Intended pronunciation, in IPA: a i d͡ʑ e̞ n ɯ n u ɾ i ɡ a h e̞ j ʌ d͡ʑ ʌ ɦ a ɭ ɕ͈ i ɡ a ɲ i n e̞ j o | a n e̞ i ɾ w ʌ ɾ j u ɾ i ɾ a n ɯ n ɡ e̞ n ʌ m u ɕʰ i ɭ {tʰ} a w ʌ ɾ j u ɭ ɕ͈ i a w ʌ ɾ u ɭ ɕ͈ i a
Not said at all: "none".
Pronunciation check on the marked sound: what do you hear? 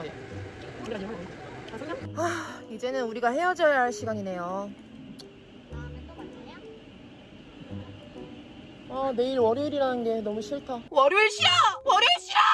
tʰ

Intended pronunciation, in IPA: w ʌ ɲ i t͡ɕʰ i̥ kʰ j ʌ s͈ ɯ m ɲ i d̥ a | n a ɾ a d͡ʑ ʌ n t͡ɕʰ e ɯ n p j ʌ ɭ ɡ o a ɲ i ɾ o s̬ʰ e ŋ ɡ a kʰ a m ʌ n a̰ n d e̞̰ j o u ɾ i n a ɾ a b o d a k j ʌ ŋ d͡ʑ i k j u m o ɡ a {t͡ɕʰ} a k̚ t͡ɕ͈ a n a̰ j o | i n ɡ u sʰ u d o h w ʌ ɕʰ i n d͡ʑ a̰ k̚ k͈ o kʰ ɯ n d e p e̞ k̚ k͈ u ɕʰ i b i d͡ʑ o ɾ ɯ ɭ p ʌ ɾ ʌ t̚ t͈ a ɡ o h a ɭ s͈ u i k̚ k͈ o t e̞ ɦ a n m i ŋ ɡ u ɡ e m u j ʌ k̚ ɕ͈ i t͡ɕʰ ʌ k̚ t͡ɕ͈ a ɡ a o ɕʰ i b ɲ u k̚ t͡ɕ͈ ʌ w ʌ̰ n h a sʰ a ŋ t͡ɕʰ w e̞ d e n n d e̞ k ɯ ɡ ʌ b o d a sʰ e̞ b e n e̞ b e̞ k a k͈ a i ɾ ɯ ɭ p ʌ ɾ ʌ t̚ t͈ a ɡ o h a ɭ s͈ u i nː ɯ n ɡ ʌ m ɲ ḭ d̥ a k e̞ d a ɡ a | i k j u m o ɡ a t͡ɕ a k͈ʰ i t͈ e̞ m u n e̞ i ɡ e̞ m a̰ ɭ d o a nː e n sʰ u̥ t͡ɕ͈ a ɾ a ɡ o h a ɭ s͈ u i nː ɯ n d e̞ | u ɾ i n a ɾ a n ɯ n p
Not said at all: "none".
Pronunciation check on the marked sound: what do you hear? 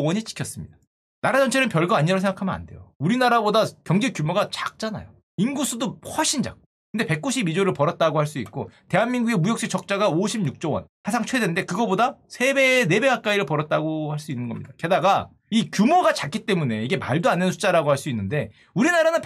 t͡ɕ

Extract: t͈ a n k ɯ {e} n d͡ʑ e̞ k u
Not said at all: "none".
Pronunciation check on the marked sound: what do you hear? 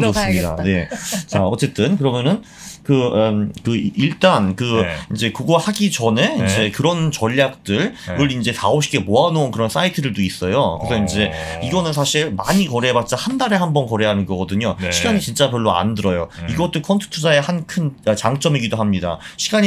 i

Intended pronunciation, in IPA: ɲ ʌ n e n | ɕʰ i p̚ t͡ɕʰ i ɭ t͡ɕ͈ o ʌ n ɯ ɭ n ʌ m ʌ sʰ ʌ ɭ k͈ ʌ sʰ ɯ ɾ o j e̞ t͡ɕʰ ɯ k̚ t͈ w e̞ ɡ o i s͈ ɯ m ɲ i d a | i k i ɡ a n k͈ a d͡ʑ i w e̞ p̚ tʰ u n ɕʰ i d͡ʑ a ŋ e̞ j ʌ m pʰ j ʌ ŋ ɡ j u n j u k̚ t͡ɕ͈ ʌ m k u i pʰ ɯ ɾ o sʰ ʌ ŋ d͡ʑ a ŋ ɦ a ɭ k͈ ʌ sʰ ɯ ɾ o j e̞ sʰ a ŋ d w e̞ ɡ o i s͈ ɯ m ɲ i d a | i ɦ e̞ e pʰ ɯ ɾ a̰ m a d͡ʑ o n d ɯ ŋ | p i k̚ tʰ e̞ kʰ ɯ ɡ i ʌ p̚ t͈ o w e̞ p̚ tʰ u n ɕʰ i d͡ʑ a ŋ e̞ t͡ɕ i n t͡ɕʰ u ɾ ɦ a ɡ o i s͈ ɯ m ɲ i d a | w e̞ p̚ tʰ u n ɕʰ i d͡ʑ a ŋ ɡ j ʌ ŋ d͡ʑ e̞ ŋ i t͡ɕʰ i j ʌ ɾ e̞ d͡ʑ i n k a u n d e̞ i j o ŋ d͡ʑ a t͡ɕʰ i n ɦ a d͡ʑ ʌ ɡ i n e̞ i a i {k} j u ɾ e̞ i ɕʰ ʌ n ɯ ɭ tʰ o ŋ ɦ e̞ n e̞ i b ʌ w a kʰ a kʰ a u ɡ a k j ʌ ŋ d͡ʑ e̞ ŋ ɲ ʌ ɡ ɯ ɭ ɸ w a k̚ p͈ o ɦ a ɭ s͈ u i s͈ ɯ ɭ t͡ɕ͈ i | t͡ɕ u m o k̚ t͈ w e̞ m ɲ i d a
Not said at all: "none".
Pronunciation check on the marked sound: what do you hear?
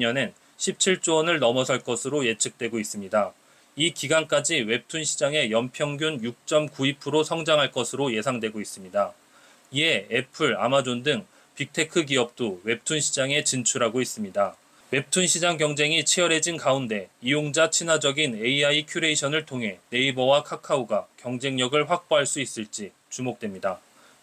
kʰ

